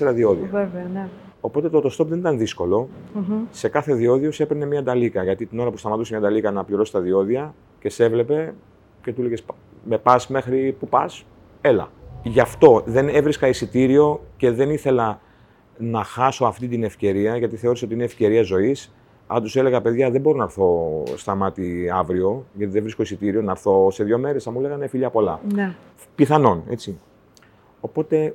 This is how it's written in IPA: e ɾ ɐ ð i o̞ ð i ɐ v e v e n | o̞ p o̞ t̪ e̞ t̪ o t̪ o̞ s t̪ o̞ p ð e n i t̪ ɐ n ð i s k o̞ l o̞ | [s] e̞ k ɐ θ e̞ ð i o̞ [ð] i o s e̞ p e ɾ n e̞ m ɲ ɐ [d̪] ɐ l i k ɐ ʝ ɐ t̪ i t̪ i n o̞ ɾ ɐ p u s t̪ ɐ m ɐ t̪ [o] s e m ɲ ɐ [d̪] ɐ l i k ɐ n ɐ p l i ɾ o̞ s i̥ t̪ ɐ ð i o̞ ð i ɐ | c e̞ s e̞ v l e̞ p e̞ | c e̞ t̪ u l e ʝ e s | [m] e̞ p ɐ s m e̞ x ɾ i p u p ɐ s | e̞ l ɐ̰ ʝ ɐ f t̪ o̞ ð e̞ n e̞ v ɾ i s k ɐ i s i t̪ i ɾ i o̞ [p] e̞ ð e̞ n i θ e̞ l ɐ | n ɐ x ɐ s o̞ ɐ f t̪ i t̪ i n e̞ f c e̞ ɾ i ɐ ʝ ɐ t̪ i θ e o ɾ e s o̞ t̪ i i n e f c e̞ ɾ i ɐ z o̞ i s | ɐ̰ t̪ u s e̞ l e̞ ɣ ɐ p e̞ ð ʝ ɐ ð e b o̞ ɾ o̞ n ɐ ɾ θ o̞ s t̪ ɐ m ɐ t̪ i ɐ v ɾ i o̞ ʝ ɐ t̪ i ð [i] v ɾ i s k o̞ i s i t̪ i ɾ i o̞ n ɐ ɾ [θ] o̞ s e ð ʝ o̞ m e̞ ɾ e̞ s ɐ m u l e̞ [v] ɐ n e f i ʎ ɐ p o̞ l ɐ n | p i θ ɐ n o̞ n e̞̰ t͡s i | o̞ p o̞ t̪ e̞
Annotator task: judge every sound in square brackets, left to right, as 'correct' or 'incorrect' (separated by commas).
correct, correct, correct, incorrect, correct, correct, incorrect, incorrect, correct, incorrect